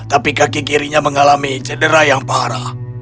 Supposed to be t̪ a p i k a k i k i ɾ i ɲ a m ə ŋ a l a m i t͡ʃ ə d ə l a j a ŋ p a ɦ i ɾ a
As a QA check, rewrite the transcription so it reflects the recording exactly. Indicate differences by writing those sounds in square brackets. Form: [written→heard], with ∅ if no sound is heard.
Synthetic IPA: t̪ a p i k a k i k i ɾ i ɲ a m ə ŋ a l a m i t͡ʃ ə d ə [l→ɾ] a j a ŋ p a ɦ [i→a] ɾ a

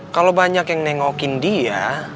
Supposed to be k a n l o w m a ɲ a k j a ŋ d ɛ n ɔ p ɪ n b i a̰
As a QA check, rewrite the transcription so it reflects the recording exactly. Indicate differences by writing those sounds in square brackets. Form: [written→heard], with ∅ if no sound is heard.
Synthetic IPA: k a [n→∅] l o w [m→b] a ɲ a k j a ŋ [d→n] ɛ [n→ŋ] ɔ [p→k] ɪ n [b→d] i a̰

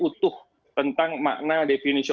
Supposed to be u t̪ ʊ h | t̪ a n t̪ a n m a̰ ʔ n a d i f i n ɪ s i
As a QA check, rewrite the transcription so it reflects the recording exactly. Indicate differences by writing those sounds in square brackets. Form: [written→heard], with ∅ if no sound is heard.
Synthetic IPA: u t̪ ʊ h | t̪ [a→ə] n t̪ a [n→ŋ] m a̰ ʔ n a d [i→e] f i n [ɪ→i] s i

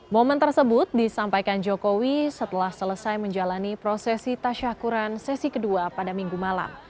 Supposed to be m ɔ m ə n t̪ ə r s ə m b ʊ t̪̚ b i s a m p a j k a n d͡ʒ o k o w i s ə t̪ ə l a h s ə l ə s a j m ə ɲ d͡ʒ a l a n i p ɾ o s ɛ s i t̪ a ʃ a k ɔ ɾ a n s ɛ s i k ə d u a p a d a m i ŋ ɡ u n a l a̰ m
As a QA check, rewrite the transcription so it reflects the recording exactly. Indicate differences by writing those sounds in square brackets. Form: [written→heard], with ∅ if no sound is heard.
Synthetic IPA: m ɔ m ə n t̪ ə r s ə [m→∅] b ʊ t̪̚ [b→d] i s a m p a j k a n d͡ʒ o k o w i s ə t̪ ə l a h s ə l ə s a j m ə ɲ d͡ʒ a l a n i p ɾ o s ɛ s i t̪ a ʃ a k [ɔ→u] ɾ a n s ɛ s i k ə d u a p a d a m i ŋ ɡ u [n→m] a l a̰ m

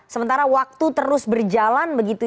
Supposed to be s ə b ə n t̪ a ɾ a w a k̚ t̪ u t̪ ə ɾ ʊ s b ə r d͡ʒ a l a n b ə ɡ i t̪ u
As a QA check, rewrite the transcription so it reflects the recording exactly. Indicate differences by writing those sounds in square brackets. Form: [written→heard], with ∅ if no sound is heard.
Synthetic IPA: s ə [b→m] ə n t̪ a ɾ a w a k̚ t̪ u t̪ ə ɾ ʊ s b ə r d͡ʒ a l a n b ə ɡ i t̪ u

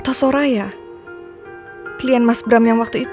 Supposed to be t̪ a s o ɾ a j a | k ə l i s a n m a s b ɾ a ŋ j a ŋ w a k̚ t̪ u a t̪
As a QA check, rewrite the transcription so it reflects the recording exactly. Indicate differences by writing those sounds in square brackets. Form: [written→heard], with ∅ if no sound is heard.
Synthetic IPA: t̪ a s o ɾ a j a | k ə l i [s→∅] a n m a s b ɾ a [ŋ→m] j a ŋ w a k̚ t̪ u [a→i] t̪

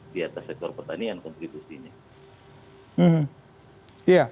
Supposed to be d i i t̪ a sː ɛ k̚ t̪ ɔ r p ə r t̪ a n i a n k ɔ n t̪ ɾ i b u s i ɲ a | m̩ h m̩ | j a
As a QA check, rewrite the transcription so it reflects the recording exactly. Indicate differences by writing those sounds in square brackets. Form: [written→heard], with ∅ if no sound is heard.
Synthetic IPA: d i [i→a] t̪ a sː ɛ k̚ t̪ ɔ r p ə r t̪ a n i a n k ɔ n t̪ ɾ i b u s i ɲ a | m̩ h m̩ | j a

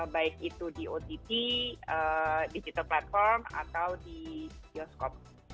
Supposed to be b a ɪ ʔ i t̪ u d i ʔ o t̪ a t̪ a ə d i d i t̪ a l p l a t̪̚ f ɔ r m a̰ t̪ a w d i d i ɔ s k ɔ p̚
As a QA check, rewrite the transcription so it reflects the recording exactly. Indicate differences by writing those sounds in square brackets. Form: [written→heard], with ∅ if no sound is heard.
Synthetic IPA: b a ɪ [ʔ→k] i t̪ u d i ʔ o t̪ [a→i] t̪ [a→i] ə d i [d→d͡ʒ] i t̪ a l p l a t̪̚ f ɔ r m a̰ t̪ a w d i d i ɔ s k ɔ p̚

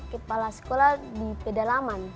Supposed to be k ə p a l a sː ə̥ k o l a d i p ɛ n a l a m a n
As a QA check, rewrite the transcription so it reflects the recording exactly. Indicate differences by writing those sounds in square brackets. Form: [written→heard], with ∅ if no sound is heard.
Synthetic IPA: k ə p a l a [sː→s] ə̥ k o l a d i p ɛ [n→d] a l a m a n

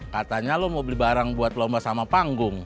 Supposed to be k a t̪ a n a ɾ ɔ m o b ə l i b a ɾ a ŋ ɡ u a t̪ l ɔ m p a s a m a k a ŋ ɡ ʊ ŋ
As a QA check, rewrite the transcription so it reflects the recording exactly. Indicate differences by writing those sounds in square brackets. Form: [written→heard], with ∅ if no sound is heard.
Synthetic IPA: k a t̪ a [n→ɲ] a [ɾ→l] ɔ m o b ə l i b a ɾ a ŋ [ɡ→b] u a t̪ l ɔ m [p→b] a s a m a [k→p] a ŋ ɡ ʊ ŋ

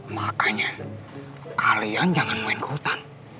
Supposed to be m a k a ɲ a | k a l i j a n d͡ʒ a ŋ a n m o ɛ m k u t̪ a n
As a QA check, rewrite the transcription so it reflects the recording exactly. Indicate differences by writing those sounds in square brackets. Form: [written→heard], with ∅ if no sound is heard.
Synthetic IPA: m a k a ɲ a | k a l i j a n d͡ʒ a ŋ a n m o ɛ [m→n] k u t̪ a n

